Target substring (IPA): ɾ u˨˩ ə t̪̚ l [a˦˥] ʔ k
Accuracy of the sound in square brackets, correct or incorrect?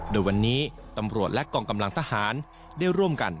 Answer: incorrect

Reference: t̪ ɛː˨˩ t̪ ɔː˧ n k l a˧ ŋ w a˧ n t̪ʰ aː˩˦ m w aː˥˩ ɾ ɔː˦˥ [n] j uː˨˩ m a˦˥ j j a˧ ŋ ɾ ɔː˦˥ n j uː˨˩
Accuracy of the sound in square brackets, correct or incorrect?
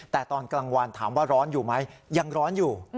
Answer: correct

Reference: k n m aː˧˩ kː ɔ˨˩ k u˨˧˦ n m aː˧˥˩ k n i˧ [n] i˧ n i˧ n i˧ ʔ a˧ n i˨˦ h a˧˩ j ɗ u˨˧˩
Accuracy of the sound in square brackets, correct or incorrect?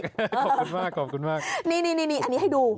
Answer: correct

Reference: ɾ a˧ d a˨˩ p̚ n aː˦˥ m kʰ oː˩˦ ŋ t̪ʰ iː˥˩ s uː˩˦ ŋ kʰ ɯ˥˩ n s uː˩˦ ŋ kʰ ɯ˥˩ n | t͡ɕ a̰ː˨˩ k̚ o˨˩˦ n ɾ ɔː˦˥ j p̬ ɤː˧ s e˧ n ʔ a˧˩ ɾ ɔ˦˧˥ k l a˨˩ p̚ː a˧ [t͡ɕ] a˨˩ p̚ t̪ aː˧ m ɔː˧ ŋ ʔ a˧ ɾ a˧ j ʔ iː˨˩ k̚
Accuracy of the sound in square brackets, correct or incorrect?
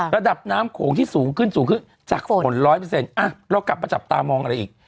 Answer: correct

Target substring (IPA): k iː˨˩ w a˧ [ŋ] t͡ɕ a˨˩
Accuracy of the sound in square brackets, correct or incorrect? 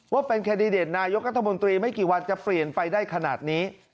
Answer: incorrect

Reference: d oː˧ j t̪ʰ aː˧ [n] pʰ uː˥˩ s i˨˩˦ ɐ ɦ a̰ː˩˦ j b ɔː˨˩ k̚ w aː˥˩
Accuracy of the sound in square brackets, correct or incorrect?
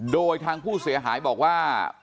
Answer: incorrect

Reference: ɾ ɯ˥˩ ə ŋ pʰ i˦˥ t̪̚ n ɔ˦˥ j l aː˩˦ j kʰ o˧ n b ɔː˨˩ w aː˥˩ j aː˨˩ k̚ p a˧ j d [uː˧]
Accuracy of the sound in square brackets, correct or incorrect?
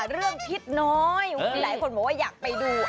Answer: correct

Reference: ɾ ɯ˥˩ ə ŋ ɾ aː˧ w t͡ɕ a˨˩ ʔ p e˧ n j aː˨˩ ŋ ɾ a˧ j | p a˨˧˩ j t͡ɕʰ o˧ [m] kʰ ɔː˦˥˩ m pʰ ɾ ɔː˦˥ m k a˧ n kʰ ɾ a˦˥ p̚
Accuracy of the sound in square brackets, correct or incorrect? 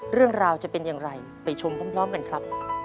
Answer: correct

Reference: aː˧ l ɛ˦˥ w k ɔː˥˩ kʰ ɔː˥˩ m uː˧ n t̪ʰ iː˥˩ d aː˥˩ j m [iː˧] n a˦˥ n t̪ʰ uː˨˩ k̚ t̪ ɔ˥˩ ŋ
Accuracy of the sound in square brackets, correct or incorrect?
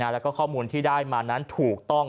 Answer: incorrect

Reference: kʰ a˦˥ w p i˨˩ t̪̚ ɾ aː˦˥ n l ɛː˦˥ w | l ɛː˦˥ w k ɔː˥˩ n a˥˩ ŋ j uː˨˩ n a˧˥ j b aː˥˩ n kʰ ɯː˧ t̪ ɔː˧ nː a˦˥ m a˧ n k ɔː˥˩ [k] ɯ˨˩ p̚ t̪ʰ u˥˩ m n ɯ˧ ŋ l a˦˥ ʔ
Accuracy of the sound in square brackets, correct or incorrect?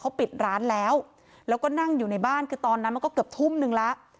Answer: correct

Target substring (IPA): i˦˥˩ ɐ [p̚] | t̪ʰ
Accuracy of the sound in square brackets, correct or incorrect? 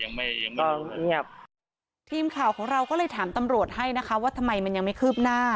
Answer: correct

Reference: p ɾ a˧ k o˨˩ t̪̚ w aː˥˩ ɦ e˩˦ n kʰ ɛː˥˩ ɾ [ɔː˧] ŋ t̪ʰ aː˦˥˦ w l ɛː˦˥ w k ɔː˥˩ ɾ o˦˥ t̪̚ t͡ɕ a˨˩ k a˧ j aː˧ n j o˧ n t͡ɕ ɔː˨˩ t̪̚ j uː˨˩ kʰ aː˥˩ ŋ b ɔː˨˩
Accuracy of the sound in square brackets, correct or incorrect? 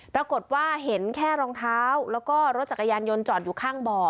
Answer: correct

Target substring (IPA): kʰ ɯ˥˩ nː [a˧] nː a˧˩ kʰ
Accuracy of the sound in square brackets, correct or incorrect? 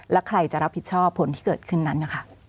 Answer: incorrect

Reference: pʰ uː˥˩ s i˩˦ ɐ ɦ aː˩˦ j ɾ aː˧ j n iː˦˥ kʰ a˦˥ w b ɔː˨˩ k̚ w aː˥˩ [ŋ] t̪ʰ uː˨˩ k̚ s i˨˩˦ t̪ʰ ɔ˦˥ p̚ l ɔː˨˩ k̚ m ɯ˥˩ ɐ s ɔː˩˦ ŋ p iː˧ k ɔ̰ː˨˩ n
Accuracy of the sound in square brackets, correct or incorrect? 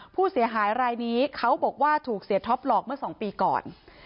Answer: incorrect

